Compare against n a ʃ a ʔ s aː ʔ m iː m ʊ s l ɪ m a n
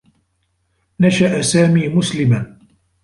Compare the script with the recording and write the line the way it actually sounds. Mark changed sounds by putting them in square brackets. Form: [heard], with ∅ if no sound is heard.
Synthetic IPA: n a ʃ a ʔ s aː [∅] m iː m ʊ s l ɪ m a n

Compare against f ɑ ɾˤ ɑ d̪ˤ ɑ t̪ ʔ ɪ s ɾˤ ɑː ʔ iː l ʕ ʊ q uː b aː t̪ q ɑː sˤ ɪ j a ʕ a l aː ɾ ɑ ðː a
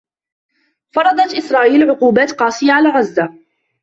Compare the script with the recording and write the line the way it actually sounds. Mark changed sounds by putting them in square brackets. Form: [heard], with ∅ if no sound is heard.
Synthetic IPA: f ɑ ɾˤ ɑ d̪ˤ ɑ t̪ ʔ ɪ s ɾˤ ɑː ʔ iː l ʕ ʊ q uː b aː t̪ q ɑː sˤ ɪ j a ʕ a l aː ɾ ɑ [zː] a

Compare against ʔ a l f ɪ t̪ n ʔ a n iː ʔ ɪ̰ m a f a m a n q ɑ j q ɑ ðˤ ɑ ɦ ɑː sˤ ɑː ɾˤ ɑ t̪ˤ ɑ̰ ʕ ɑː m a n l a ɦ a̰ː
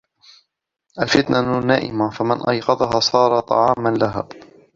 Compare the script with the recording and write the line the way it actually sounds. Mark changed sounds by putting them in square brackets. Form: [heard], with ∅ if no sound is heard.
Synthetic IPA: ʔ a l f ɪ t̪ n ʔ a n [aː] ʔ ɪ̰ m a f a m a n [ʔ] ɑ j q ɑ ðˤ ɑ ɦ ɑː sˤ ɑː ɾˤ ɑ t̪ˤ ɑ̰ ʕ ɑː m a n l a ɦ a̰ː

